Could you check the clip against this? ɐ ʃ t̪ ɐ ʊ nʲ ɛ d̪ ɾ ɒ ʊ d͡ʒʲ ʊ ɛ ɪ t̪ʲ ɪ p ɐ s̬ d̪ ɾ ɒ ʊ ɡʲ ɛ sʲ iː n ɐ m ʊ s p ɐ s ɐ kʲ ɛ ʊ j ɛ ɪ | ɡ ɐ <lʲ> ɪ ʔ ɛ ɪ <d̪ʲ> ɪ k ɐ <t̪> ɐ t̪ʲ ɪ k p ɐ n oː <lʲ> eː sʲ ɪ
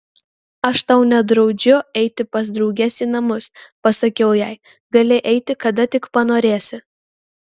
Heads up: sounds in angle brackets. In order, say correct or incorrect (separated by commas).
correct, incorrect, incorrect, incorrect